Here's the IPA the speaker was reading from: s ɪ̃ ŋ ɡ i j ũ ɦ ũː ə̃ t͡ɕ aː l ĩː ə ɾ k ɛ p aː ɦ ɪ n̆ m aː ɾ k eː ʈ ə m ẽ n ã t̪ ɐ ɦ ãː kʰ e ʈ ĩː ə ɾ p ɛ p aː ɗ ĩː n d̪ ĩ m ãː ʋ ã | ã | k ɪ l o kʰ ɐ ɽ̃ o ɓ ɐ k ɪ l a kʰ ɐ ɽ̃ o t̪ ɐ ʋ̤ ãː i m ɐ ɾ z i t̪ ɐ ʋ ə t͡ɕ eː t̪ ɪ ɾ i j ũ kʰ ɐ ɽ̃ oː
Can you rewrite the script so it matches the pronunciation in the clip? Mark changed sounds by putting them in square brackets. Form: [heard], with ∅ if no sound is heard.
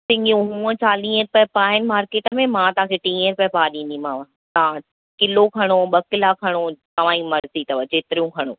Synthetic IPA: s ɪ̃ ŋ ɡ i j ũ ɦ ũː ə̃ t͡ɕ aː l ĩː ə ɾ [p] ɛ p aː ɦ ɪ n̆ m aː ɾ k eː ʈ ə m ẽ [m] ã t̪ ɐ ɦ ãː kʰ e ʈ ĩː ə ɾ p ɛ p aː ɗ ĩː n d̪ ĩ m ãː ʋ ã | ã | k ɪ l o kʰ ɐ ɽ̃ o ɓ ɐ k ɪ l a kʰ ɐ ɽ̃ o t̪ ɐ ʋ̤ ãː i m ɐ ɾ z i t̪ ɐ ʋ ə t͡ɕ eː t̪ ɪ ɾ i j ũ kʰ ɐ ɽ̃ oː